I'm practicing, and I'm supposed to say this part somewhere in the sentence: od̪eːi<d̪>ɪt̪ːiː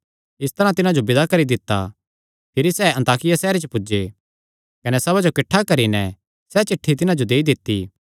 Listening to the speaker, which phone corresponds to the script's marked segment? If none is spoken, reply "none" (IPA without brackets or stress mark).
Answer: d̪